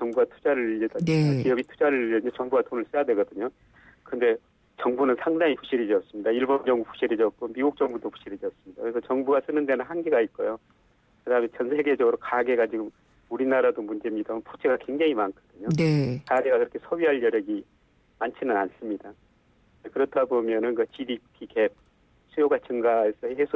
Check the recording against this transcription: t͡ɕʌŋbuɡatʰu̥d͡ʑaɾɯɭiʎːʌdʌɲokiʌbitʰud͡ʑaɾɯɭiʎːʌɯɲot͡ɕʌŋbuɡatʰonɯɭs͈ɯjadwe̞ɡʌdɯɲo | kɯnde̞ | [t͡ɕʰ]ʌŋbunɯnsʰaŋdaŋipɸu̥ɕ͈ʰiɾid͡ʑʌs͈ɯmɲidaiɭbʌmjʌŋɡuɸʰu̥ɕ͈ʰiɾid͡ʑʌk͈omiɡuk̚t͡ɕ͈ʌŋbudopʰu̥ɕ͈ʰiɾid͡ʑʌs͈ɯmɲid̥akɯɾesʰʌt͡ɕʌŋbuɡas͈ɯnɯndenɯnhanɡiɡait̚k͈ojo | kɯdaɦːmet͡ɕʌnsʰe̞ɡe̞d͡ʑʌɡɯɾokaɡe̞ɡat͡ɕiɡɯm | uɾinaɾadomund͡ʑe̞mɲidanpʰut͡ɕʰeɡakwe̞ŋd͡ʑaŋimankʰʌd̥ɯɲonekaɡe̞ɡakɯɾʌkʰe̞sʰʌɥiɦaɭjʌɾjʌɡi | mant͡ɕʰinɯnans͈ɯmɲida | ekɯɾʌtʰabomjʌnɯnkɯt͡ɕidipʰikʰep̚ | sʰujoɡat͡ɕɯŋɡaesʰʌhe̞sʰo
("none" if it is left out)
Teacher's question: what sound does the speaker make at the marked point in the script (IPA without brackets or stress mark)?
t͡ɕ